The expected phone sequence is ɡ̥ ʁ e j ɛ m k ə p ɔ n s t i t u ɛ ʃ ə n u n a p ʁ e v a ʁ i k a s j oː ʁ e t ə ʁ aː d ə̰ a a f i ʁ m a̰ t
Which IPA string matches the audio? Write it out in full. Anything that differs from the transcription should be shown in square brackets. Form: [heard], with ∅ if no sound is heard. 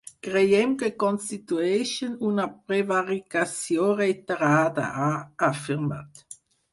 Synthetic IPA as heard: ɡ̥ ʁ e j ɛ m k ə [k] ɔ n s t i t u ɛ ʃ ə n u n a p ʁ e v a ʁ i k a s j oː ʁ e t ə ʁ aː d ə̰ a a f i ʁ m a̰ t